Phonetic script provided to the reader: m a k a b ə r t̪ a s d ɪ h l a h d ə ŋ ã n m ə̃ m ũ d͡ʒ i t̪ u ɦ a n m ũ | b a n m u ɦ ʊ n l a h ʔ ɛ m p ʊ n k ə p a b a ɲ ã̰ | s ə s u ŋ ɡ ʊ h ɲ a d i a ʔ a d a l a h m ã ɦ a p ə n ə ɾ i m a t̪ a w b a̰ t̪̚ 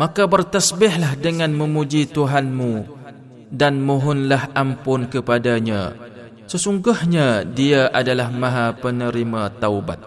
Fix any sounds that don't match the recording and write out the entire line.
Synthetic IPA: m a k a b ə r t̪ a s b ɪ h l a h d ə ŋ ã n m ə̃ m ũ d͡ʒ i t̪ u ɦ a n m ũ | d a n m u ɦ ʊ n l a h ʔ a m p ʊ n k ə p a d a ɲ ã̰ | s ə s u ŋ ɡ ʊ h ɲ a d i a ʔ a d a l a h m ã ɦ a p ə n ə ɾ i m a t̪ a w b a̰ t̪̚